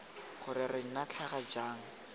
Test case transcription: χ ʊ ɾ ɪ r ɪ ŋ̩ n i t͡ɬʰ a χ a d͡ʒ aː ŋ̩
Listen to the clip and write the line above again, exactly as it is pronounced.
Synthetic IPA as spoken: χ ʊ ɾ ɪ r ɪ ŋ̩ n a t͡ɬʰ a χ a d͡ʒ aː ŋ̩